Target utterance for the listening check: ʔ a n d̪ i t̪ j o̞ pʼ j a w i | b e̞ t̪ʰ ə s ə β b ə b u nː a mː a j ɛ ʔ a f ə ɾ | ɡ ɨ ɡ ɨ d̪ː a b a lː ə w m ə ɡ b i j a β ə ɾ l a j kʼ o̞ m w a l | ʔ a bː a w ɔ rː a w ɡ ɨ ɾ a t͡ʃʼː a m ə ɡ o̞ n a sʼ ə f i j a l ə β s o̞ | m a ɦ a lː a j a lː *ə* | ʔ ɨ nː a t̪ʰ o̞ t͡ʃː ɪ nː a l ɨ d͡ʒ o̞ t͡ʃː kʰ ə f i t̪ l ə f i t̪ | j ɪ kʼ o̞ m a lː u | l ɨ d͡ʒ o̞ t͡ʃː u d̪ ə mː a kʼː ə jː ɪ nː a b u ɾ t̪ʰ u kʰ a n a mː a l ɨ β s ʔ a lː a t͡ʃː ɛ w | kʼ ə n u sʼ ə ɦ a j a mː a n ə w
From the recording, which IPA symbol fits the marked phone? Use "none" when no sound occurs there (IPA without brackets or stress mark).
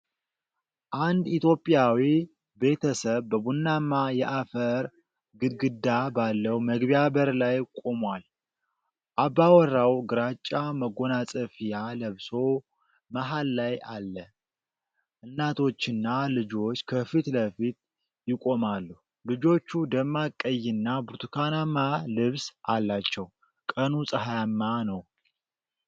ə